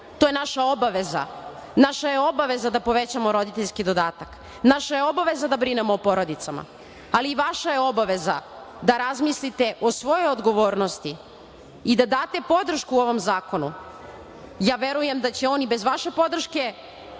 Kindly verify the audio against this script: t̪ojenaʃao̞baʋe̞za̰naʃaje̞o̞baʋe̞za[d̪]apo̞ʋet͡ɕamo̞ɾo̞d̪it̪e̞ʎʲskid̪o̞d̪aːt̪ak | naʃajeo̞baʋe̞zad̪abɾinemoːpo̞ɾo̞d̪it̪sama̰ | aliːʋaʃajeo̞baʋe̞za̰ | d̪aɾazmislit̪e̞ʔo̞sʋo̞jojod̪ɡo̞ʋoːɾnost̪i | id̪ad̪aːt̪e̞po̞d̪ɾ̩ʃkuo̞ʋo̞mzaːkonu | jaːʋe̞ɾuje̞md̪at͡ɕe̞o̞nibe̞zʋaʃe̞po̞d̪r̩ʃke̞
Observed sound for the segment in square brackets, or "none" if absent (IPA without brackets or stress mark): d̪